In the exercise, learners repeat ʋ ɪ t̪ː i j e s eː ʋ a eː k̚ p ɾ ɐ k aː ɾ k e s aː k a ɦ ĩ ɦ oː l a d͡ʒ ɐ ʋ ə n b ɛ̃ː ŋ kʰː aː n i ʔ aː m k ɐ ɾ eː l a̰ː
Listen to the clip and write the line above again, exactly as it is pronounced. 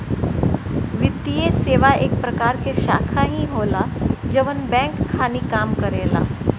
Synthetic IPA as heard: ʋ ɪ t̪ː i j e s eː ʋ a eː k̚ p ɾ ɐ k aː ɾ k e ʃ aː kʰ a ɦ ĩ ɦ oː l a d͡ʒ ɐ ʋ ə n b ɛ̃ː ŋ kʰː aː n i k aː m k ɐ ɾ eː l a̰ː